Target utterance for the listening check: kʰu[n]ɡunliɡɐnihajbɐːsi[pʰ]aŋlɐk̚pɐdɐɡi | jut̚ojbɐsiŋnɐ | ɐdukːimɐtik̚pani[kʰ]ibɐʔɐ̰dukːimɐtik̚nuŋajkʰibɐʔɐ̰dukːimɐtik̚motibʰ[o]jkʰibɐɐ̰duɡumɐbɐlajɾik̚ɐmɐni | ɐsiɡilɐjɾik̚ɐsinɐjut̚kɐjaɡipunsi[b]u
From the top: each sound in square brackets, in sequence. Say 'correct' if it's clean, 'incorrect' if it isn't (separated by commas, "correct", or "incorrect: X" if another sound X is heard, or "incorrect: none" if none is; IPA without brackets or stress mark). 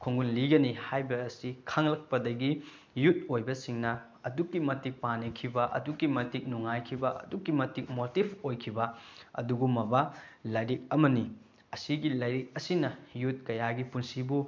incorrect: ŋ, incorrect: kʰ, correct, correct, correct